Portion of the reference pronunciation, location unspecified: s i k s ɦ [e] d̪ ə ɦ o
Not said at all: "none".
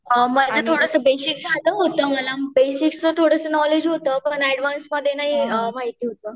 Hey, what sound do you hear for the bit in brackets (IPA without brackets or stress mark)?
a